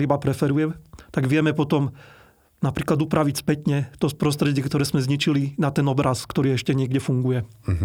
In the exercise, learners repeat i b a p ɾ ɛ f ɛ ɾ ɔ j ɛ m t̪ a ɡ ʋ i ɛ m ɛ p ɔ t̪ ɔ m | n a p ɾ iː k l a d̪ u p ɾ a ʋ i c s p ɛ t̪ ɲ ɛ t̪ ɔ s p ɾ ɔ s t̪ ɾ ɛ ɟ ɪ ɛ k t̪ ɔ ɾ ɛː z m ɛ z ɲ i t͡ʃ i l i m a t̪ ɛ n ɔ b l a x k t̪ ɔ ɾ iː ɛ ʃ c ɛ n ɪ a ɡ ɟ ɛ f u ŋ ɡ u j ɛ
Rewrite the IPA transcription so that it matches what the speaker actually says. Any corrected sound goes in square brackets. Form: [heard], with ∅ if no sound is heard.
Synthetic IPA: i b a p ɾ ɛ f ɛ ɾ [u] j ɛ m t̪ a ɡ ʋ [ɪ] ɛ m ɛ p ɔ t̪ ɔ m | n a p ɾ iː k l a d̪ u p ɾ a ʋ i c s p ɛ t̪ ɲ ɛ t̪ ɔ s p ɾ ɔ s t̪ ɾ ɛ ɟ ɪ ɛ k t̪ ɔ ɾ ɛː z m ɛ z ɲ i t͡ʃ i l i [n] a t̪ ɛ n ɔ b [ɾ] a [s] k t̪ ɔ ɾ iː ɛ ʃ c ɛ [ɲ] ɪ [ɛ] ɡ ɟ ɛ f u ŋ ɡ u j ɛ